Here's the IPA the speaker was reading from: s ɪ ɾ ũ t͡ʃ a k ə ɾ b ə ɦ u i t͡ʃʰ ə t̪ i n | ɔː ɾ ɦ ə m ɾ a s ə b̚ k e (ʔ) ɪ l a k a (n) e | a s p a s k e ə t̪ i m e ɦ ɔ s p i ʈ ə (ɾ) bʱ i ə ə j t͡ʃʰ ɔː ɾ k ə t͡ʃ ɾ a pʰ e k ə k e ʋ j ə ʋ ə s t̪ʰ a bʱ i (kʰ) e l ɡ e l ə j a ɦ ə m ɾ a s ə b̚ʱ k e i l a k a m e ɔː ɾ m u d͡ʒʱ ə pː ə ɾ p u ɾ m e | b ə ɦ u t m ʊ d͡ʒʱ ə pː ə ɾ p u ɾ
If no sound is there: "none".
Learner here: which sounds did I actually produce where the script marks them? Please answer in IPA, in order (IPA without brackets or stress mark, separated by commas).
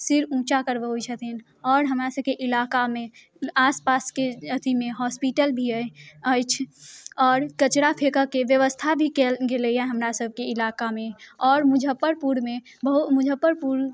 ʔ, m, l, k